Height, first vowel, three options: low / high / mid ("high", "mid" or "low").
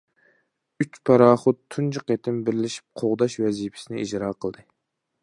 high